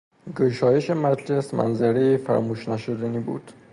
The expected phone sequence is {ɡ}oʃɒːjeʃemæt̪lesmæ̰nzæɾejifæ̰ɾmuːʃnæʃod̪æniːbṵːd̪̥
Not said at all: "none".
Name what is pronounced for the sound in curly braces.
ɡ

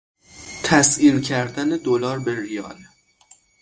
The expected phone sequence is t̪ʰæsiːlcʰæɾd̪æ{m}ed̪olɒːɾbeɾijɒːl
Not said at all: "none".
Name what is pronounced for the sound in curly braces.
n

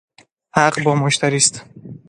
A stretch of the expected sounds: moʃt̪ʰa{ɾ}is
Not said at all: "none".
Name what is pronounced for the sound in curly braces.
ɾ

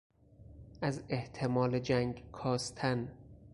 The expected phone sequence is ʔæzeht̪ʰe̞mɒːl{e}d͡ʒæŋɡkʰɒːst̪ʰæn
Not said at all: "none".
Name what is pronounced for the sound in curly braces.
e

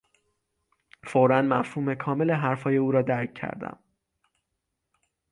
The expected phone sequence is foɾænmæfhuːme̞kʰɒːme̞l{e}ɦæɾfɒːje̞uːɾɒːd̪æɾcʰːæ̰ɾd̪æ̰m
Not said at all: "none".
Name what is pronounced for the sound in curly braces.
e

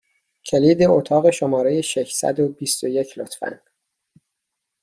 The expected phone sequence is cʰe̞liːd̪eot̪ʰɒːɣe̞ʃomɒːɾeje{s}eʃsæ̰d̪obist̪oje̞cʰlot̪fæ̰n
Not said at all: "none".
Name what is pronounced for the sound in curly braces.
ʃ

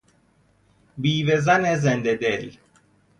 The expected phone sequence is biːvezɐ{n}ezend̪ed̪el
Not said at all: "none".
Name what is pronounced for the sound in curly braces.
n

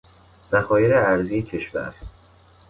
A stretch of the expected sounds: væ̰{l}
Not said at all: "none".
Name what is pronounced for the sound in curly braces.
ɾ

